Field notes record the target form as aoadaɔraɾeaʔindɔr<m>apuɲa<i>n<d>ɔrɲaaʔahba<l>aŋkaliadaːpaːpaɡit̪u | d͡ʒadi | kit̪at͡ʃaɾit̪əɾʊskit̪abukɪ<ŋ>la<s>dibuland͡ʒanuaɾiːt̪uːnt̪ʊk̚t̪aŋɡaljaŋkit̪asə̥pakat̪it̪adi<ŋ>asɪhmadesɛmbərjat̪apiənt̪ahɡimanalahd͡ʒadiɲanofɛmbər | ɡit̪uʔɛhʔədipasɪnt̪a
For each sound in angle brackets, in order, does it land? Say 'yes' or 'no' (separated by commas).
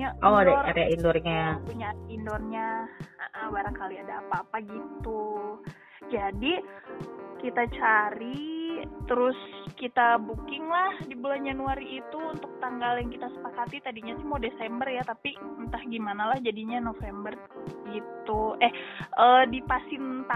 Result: no, yes, yes, no, yes, no, no